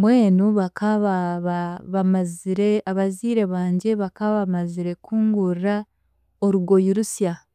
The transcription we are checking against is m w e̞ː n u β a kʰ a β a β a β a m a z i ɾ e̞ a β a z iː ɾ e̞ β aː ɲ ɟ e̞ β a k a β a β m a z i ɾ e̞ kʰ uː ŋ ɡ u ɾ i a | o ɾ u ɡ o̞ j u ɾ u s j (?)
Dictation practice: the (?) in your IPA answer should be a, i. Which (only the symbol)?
a